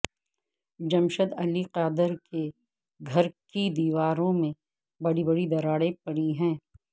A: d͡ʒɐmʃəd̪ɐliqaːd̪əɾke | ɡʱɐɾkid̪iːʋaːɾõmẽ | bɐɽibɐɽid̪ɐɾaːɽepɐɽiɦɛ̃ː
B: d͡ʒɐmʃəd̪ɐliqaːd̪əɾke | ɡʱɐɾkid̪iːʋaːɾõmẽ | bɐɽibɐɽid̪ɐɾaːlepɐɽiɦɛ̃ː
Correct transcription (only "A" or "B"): A